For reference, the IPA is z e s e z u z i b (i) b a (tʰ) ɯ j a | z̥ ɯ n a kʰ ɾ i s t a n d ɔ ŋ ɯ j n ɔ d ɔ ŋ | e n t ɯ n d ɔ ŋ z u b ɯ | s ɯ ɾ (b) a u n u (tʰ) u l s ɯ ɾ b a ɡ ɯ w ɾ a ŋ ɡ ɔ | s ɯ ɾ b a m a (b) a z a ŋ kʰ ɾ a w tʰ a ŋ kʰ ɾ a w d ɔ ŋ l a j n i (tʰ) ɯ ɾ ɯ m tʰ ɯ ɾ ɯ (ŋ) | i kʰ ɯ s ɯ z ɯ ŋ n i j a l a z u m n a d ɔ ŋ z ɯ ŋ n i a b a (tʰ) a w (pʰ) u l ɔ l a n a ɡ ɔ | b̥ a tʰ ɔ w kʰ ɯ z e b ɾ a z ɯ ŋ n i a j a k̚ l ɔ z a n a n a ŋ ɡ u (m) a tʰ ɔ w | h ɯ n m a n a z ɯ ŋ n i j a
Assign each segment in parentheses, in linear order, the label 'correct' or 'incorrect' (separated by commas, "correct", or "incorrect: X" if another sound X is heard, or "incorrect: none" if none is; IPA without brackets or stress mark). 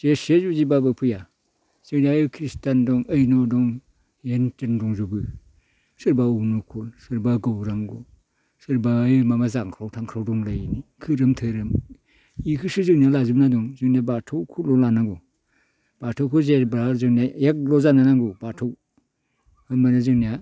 incorrect: a, incorrect: pʰ, correct, incorrect: kʰ, incorrect: m, incorrect: kʰ, incorrect: m, correct, incorrect: kʰ, incorrect: b